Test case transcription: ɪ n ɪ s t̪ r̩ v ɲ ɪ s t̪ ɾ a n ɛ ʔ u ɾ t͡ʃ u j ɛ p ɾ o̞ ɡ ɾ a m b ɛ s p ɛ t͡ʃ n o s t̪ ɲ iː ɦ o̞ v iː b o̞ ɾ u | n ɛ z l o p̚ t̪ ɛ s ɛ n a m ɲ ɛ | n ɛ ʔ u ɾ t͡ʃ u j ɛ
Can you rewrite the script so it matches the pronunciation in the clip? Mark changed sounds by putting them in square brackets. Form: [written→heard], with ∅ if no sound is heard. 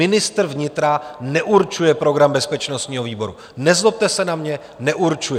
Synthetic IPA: ɪ n ɪ s t̪ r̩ v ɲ ɪ [s→∅] t̪ ɾ a n ɛ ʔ u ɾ t͡ʃ u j ɛ p ɾ o̞ ɡ ɾ a m b ɛ s p ɛ t͡ʃ n o s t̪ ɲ iː ɦ o̞ v iː b o̞ ɾ u | n ɛ z l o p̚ t̪ ɛ s ɛ n a m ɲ ɛ | n ɛ ʔ u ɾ t͡ʃ u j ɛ